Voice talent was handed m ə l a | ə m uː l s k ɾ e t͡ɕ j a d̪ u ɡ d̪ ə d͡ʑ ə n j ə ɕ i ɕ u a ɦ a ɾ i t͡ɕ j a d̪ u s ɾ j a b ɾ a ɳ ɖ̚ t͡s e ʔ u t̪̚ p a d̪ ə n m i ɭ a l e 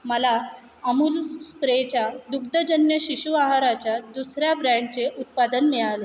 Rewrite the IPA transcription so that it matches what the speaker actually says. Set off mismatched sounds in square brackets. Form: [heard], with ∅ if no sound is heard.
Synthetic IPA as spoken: m ə l a | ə m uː l s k ɾ e t͡ɕ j a d̪ u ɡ d̪ ə d͡ʑ ə n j ə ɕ i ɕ u a ɦ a ɾ [a] t͡ɕ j a d̪ u s ɾ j a b ɾ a ɳ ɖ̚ t͡s e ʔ u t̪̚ p a d̪ ə n m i ɭ a l e